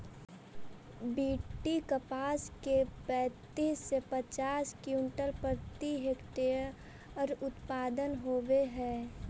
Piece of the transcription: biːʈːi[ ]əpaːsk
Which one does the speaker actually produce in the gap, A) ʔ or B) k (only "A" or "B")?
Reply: B